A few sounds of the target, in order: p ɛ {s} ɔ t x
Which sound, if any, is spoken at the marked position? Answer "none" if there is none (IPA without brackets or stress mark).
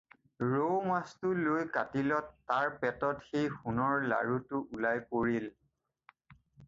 t